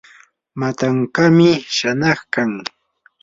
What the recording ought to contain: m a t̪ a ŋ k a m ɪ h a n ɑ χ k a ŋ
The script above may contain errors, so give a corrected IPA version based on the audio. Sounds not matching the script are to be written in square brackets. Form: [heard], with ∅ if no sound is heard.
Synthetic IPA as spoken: m a t̪ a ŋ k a m ɪ [ʃ] a n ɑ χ k a ŋ